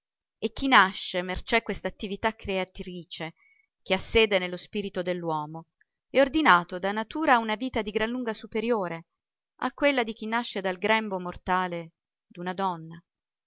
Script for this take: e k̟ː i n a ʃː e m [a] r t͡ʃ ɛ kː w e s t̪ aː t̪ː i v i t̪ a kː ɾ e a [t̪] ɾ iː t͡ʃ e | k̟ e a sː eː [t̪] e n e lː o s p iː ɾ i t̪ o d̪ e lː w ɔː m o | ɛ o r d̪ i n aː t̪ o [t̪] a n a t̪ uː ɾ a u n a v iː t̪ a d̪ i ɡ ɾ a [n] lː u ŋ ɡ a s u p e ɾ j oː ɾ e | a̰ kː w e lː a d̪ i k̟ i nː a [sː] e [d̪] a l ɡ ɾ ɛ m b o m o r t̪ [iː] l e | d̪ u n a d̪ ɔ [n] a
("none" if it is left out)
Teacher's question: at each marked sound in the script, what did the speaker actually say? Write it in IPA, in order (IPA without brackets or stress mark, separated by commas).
e, t̪, d̪, d̪, n, ʃː, d̪, aː, nː